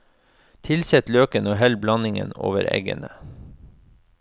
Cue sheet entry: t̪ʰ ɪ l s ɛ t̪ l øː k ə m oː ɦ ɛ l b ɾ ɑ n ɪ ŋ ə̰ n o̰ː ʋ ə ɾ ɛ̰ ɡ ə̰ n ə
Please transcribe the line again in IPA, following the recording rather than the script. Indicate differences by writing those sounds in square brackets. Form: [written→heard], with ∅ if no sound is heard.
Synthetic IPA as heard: t̪ʰ ɪ l s ɛ t̪ l øː k ə [m→n] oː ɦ ɛ l b [ɾ→l] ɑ n ɪ ŋ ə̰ n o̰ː ʋ ə ɾ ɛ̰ ɡ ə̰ n ə